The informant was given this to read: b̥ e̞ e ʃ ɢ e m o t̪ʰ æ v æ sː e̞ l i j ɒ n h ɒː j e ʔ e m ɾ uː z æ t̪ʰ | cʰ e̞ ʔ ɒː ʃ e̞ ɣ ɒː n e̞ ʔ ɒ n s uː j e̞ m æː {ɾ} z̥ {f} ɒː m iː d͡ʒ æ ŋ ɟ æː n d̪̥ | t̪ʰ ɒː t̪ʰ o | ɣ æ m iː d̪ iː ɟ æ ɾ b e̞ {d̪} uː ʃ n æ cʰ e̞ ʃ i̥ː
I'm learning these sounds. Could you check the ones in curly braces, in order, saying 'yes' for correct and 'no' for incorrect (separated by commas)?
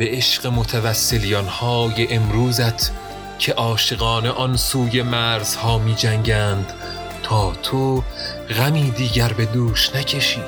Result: yes, no, yes